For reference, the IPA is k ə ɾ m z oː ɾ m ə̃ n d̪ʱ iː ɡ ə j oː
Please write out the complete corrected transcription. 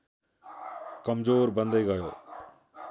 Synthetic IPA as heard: k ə m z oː ɾ b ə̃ n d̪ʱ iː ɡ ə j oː